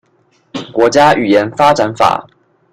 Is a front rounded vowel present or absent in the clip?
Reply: present